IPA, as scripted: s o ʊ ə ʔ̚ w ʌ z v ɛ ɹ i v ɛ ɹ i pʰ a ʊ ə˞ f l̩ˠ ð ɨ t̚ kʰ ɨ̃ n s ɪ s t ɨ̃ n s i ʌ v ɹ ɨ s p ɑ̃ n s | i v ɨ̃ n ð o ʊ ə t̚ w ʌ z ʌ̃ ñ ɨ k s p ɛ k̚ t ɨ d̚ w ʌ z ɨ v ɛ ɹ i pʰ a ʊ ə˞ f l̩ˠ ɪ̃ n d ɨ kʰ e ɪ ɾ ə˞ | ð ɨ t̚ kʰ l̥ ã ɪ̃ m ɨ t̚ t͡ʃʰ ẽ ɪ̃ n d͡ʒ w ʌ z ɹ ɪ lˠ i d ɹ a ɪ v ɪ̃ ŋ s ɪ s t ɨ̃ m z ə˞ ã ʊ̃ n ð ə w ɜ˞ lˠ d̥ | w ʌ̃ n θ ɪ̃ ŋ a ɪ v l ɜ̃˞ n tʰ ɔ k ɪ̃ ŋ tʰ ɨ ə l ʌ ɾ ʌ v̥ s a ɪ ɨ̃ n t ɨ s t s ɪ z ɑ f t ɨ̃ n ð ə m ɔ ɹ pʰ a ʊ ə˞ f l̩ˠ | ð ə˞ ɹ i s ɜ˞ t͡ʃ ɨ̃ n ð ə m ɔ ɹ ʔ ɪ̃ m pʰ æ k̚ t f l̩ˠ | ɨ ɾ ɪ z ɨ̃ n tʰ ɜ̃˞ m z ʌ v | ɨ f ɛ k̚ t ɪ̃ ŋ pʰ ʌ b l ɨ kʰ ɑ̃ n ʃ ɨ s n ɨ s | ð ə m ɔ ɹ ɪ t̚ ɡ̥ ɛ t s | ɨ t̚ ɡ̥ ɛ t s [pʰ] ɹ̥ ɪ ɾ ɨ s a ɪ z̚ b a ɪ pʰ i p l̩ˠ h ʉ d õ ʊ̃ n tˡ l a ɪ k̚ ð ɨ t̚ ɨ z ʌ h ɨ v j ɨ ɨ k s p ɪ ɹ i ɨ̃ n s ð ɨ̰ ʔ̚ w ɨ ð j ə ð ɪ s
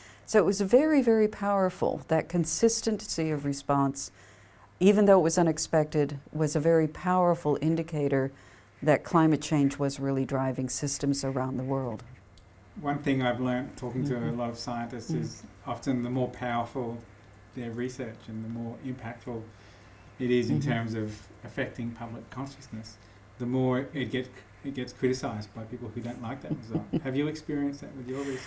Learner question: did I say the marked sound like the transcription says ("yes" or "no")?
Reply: no